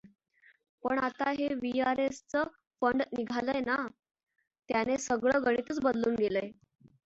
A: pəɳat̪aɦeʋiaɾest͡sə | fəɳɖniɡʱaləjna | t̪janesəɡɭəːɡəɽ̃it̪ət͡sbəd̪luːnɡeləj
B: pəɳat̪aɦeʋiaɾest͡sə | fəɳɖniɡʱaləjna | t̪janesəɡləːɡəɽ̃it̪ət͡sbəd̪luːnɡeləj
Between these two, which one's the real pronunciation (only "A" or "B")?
A